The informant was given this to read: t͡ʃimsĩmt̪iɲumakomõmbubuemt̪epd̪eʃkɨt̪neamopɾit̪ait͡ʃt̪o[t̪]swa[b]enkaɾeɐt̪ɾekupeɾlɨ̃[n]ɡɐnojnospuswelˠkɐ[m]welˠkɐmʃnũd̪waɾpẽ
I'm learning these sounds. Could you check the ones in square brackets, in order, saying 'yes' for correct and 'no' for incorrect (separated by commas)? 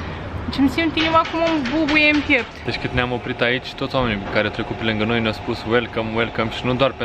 yes, no, no, yes